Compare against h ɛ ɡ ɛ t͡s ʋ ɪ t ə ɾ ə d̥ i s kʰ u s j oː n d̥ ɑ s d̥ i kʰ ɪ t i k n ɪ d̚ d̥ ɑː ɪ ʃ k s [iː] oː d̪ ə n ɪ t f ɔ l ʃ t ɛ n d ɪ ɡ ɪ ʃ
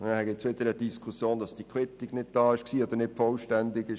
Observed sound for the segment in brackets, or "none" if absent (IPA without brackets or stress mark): iː